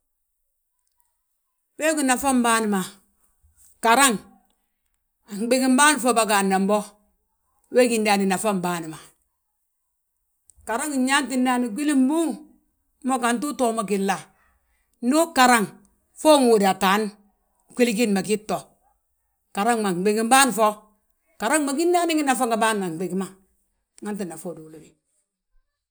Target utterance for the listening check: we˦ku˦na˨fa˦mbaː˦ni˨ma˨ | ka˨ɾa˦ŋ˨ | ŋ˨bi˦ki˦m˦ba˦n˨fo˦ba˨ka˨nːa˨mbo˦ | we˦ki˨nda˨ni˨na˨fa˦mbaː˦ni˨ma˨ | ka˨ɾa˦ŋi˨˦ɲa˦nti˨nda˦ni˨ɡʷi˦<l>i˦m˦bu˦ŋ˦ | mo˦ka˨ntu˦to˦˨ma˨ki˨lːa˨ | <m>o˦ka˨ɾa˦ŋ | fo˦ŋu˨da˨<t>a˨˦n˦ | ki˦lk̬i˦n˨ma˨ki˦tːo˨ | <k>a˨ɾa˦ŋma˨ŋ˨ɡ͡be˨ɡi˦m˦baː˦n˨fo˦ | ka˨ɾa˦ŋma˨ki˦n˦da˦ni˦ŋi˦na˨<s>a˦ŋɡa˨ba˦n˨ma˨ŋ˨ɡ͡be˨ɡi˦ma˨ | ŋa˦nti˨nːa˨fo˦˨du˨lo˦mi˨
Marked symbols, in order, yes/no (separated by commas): yes, no, yes, yes, no